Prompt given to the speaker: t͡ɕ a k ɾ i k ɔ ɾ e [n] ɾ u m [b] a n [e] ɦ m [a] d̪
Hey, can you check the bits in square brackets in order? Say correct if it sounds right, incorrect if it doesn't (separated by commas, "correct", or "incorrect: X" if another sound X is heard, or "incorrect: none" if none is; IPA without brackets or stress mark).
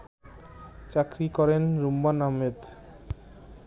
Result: correct, correct, incorrect: a, incorrect: e